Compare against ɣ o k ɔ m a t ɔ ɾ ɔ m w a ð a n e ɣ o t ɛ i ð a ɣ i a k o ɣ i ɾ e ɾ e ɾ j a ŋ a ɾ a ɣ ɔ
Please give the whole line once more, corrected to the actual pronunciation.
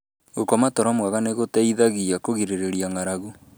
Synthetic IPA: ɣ o k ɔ m a t ɔ ɾ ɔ m w a ɣ a n e ɣ o t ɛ i ð a ɣ i a k o ɣ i ɾ e ɾ e ɾ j a ŋ a ɾ a ɣ u